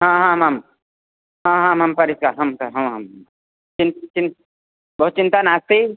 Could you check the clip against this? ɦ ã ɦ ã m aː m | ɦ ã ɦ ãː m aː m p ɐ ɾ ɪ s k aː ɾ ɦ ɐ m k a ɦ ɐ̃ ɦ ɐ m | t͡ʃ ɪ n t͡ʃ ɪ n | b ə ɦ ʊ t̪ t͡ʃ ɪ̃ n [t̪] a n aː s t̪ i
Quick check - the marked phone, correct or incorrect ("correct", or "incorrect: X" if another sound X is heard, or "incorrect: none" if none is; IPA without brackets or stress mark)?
correct